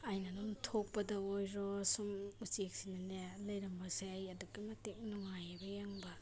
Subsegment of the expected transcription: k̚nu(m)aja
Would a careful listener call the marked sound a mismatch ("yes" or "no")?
yes